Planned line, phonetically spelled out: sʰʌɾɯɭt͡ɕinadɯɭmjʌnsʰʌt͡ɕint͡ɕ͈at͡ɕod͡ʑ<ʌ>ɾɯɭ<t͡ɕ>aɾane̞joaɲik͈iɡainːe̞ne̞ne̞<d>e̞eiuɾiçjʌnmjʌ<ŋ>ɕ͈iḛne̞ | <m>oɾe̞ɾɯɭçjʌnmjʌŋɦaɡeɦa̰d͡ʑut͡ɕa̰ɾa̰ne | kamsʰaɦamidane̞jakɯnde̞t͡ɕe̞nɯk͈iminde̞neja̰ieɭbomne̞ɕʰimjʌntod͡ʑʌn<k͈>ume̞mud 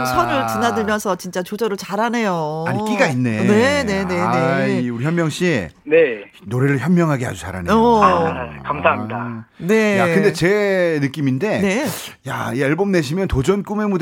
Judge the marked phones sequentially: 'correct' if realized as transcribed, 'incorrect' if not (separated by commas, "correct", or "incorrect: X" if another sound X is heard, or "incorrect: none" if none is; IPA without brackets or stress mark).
correct, correct, incorrect: n, correct, incorrect: n, correct